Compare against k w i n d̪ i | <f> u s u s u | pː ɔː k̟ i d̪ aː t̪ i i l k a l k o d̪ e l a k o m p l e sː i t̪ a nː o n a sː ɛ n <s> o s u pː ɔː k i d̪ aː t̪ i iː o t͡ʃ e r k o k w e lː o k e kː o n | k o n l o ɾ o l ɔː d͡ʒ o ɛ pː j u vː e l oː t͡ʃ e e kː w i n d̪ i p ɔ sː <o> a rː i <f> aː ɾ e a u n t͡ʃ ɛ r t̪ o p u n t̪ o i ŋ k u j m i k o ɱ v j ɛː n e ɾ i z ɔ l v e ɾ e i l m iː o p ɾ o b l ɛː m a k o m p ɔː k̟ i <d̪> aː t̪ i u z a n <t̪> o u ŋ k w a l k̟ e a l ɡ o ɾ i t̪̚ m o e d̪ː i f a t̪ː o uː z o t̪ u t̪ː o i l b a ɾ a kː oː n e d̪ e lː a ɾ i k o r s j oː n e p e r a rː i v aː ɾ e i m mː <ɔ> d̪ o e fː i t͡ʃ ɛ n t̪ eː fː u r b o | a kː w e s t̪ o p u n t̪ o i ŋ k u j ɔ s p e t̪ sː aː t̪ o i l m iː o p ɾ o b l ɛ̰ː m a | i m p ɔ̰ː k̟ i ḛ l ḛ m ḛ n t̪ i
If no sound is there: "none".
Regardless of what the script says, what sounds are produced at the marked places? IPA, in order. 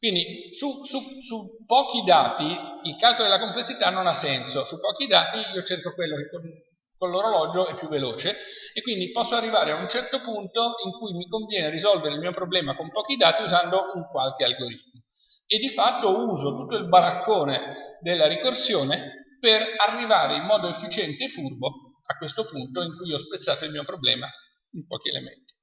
s, s, o, v, d̪, d̪, ɔː

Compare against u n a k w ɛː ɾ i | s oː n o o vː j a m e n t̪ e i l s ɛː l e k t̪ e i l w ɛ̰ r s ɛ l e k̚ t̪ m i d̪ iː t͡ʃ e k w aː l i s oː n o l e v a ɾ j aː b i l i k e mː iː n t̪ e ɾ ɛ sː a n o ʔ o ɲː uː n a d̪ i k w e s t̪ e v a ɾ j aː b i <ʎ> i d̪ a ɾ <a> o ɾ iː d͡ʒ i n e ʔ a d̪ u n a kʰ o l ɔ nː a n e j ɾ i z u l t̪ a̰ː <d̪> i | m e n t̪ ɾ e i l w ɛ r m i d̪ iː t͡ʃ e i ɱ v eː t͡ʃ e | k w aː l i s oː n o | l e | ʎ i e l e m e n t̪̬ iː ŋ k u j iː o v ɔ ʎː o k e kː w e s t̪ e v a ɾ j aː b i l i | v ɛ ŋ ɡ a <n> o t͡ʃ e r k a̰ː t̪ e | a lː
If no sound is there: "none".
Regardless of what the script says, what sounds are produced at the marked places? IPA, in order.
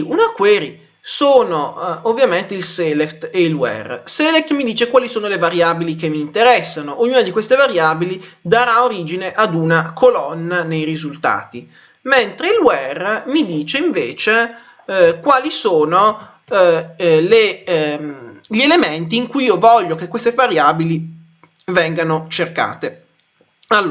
l, a, t̪, n

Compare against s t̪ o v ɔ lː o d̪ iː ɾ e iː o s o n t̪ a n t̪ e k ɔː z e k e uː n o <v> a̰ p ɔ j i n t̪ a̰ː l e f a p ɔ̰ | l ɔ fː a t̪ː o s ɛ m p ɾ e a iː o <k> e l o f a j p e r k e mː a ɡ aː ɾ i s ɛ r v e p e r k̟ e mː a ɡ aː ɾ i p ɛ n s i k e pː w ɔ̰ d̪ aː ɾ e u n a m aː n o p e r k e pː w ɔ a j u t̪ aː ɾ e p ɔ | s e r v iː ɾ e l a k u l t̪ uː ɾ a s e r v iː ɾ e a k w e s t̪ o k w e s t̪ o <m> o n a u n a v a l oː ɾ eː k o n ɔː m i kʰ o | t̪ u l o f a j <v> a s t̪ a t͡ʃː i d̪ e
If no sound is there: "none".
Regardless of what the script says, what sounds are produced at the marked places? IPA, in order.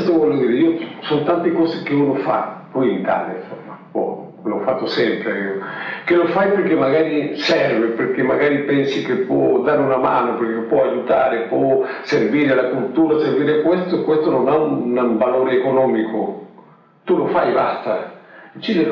f, k, n, b

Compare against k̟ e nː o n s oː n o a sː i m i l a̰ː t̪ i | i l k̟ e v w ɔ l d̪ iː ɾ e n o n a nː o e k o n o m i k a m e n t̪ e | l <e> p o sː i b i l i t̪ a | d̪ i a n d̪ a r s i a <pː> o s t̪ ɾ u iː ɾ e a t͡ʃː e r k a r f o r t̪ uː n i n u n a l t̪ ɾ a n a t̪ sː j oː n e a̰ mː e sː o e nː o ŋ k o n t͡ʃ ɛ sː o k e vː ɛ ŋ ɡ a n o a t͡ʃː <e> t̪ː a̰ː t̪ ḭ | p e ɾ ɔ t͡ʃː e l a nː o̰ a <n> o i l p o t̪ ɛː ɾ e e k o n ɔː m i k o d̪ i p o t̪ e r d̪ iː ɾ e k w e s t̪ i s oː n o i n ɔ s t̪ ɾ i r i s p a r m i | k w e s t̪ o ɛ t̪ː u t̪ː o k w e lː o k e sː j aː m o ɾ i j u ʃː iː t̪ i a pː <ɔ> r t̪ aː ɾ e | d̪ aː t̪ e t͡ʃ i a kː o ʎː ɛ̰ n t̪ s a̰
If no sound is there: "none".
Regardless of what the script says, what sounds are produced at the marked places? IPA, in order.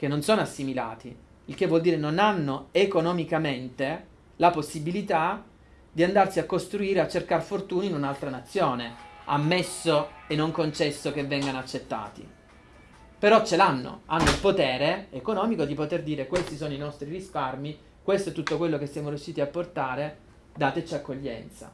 a, kː, e, nː, o

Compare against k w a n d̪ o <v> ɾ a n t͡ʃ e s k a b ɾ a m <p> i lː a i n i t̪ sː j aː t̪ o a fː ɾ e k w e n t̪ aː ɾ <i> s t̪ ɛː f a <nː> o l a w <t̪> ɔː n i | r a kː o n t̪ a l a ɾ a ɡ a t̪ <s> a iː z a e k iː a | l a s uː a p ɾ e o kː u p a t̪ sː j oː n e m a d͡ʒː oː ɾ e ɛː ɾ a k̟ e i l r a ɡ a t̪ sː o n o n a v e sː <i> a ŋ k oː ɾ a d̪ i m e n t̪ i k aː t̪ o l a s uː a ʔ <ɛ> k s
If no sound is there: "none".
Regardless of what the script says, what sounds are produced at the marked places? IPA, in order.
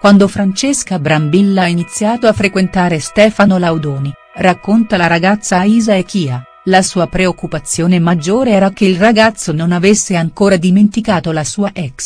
f, b, e, n, d̪, sː, e, ɛ

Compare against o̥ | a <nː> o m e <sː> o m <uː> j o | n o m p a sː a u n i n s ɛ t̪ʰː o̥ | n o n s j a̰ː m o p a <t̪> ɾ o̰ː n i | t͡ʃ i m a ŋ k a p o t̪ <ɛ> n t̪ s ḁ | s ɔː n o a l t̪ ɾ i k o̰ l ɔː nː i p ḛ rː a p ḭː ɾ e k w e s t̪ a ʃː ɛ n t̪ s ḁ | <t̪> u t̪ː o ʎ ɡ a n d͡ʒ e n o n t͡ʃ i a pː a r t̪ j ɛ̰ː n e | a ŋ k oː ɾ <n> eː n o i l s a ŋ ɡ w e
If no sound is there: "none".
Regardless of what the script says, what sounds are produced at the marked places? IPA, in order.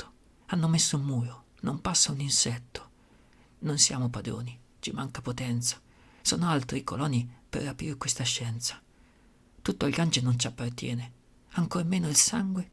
nː, sː, uː, d̪, ɛ, t̪, m

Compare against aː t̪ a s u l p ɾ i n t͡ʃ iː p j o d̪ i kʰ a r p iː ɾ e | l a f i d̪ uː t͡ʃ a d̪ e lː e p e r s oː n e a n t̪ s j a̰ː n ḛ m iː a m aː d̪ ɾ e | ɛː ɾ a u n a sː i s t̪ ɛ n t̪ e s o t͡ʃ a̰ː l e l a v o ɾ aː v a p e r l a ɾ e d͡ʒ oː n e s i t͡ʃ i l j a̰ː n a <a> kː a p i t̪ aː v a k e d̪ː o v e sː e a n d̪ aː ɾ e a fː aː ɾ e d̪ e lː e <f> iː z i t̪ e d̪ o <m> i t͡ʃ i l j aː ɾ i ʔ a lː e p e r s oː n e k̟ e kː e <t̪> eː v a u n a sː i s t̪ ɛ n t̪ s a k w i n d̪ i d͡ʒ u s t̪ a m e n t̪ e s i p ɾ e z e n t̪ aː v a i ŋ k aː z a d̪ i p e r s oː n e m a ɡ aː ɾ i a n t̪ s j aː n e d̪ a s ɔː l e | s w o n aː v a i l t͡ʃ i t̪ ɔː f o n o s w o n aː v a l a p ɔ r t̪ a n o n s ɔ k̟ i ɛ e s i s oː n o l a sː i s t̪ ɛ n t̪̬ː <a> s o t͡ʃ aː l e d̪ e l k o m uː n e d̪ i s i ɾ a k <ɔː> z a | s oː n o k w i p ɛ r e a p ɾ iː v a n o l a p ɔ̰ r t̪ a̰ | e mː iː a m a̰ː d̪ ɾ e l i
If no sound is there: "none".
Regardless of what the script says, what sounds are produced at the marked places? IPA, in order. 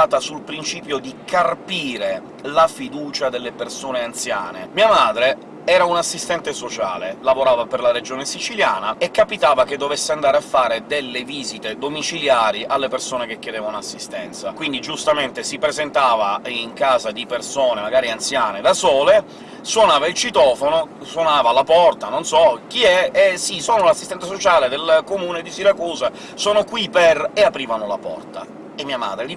e, v, m, d̪, a, uː

